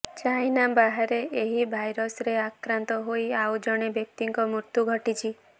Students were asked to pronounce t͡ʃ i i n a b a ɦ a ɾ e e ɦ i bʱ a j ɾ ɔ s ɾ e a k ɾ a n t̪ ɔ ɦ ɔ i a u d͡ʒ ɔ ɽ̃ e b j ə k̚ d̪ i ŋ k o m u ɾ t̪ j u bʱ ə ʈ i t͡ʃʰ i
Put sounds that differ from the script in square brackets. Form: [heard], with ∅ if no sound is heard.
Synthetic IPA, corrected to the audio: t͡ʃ [a] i n a b a ɦ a ɾ e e ɦ i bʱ a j ɾ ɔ s ɾ e a k ɾ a n t̪ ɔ ɦ [o] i a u d͡ʒ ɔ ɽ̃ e b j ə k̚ [t̪] i ŋ k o m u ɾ t̪ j u [ɡʱ] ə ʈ i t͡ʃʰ i